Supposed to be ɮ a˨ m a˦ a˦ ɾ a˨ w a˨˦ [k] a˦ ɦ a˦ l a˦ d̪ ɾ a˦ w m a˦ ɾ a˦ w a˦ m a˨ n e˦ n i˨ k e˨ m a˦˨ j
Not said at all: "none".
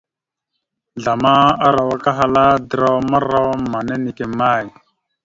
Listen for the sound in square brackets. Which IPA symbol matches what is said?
k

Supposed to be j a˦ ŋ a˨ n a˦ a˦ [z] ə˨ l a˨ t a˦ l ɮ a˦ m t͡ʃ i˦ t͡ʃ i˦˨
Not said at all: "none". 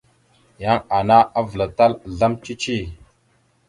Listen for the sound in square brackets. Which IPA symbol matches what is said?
v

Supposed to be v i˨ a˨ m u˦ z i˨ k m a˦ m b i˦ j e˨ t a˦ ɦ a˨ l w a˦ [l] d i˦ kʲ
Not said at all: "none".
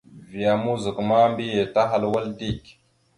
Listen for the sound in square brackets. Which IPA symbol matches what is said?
l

